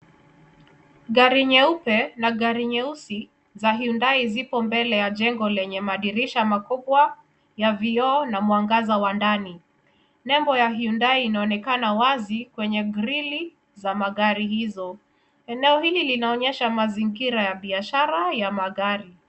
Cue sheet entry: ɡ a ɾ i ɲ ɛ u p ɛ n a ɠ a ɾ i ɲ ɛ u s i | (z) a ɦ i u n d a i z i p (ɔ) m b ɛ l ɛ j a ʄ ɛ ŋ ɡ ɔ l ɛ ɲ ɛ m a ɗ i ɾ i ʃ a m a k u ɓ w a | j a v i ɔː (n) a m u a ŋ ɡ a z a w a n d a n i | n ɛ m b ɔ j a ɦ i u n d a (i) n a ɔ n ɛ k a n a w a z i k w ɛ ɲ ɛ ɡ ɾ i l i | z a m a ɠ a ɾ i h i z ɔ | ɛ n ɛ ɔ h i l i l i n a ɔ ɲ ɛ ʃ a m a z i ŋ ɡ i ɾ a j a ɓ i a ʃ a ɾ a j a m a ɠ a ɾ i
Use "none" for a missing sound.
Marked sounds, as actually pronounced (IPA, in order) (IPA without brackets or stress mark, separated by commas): z, ɔ, n, iː